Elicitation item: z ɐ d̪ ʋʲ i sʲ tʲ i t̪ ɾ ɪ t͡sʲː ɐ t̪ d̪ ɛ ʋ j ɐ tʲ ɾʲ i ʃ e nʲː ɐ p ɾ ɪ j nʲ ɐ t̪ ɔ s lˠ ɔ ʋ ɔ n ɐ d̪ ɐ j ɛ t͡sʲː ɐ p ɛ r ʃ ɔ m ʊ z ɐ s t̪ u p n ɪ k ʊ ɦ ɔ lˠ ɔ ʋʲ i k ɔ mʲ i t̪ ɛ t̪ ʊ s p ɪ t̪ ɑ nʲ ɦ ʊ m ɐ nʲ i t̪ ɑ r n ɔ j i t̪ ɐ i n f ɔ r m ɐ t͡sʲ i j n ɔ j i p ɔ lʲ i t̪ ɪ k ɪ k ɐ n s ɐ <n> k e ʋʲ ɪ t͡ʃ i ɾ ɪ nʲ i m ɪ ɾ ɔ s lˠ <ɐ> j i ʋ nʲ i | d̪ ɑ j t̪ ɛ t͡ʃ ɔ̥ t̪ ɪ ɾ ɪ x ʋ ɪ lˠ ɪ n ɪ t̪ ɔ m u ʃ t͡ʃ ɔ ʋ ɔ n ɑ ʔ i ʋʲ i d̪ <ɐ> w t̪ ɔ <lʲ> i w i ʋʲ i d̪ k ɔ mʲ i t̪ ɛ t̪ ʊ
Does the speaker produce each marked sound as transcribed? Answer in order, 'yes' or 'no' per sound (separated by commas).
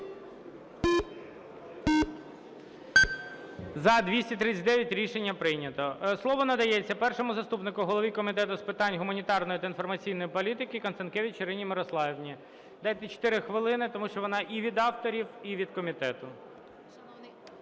yes, no, no, no